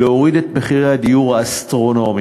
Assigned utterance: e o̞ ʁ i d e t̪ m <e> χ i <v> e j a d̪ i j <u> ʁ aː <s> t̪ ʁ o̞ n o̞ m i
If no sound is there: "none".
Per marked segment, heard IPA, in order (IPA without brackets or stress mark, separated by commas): e, ʁ, u, s